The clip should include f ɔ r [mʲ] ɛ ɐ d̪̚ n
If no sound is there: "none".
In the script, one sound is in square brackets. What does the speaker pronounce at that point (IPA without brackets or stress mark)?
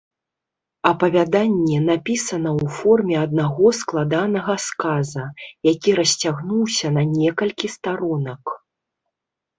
mʲ